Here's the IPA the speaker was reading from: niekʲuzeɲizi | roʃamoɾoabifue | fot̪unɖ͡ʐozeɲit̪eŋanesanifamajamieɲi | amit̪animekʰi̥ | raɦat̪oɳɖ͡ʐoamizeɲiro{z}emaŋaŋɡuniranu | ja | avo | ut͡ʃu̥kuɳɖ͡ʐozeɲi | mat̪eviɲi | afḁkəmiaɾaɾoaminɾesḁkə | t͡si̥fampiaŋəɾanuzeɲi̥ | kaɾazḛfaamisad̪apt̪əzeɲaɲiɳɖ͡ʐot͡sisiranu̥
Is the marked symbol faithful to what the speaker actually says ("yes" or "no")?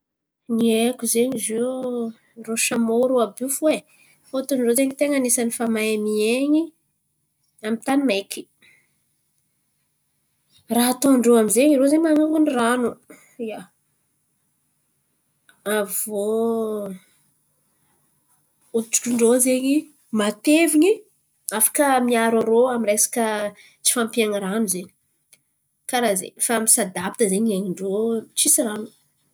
yes